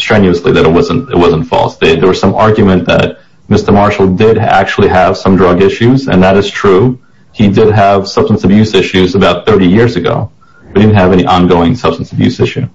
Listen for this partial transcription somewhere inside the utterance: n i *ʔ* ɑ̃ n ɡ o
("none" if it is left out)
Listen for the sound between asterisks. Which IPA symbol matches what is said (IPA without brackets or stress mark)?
ʔ